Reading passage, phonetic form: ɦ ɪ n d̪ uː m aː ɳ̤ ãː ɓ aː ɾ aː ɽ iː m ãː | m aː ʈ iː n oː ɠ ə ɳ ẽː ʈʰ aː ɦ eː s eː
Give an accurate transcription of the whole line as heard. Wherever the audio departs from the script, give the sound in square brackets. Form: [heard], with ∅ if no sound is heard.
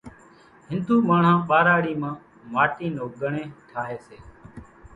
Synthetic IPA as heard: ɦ ɪ n d̪ uː m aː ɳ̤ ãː ɓ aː ɾ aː ɽ iː m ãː | m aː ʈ iː n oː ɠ ə ɳ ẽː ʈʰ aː ɦ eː s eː